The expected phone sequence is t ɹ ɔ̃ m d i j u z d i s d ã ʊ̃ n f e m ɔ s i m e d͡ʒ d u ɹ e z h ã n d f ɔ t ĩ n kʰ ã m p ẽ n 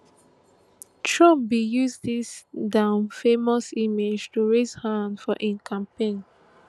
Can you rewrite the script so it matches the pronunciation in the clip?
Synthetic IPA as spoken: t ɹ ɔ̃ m b i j u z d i s d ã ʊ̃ n f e m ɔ s i m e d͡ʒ t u ɹ e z h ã n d f ɔ ʔ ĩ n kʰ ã m p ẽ n